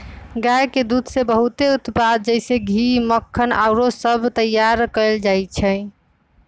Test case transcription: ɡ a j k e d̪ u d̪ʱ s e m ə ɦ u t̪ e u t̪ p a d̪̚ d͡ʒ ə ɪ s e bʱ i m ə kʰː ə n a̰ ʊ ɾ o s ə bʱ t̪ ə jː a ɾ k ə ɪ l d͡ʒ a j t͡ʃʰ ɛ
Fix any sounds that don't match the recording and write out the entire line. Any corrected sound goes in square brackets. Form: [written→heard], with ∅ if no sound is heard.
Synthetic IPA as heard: ɡ a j k e d̪ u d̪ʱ s e [m→b] ə ɦ u t̪ e u t̪ p a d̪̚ d͡ʒ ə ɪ s e [bʱ→ɡʱ] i m ə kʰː ə n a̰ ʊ ɾ o s ə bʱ t̪ ə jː a ɾ k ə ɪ l d͡ʒ a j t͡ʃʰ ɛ